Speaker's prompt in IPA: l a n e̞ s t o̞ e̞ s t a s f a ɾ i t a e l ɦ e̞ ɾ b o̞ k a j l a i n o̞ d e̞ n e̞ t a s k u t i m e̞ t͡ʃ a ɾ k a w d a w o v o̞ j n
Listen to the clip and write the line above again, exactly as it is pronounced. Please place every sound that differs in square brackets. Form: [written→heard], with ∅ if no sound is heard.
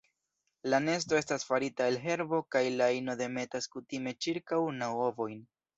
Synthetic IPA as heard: l a n e̞ s t o̞ e̞ s t a s f a ɾ i t a e l ɦ e̞ ɾ b o̞ k a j l a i n o̞ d e̞ [n→m] e̞ t a s k u t i m e̞ t͡ʃ [a→i] ɾ k a w [d→n] a w o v o̞ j n